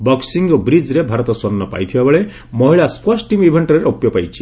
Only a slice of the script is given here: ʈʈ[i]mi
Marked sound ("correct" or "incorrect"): correct